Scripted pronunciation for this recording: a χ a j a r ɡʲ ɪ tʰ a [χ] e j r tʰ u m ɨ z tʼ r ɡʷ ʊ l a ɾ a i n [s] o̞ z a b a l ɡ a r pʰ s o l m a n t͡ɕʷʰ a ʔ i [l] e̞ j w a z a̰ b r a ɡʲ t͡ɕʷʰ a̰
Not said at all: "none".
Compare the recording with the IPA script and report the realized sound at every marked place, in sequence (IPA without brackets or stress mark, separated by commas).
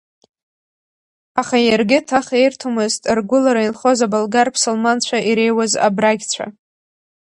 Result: χ, χ, ɾ